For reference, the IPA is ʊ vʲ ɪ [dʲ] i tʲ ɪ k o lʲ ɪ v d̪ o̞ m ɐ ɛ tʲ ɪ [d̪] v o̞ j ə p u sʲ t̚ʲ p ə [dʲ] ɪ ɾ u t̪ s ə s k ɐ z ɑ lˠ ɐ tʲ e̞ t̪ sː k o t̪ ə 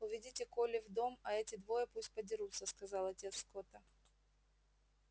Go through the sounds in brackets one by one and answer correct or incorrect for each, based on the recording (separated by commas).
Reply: correct, correct, correct